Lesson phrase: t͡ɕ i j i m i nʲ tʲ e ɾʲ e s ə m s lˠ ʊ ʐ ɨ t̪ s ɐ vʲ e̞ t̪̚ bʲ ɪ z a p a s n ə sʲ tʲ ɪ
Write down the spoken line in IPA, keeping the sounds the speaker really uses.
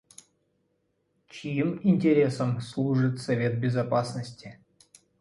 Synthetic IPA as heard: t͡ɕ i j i m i nʲ tʲ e ɾʲ e s ə m s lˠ u ʐ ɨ t̪ s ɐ vʲ e̞ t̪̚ bʲ ɪ z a p a s n ə sʲ tʲ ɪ